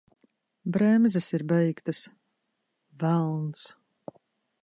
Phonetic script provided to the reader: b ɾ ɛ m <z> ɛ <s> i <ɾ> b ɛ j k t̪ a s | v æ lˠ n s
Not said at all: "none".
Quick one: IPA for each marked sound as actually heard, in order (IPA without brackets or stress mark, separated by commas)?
z, s, ɾ